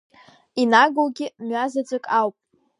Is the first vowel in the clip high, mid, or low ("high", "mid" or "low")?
high